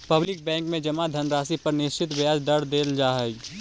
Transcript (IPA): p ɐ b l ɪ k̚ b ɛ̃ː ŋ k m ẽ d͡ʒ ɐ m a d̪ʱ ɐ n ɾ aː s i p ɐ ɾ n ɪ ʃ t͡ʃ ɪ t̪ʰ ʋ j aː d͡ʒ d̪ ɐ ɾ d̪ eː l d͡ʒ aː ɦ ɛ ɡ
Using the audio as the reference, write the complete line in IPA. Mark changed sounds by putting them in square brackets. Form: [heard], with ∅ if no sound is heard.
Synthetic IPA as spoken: p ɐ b l ɪ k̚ b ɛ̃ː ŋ k m ẽ d͡ʒ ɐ m a d̪ʱ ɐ n ɾ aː s i p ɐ ɾ n ɪ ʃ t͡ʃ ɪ [t̪] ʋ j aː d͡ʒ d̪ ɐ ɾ d̪ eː l d͡ʒ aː ɦ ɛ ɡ